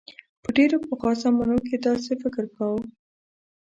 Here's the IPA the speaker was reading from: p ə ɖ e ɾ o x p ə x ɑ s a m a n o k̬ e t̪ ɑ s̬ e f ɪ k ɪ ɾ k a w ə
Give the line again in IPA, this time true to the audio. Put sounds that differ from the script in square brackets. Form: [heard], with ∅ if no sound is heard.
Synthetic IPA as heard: p ə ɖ e ɾ o [∅] p ə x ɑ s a m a n o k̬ e [d̪] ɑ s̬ e f ɪ k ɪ ɾ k a w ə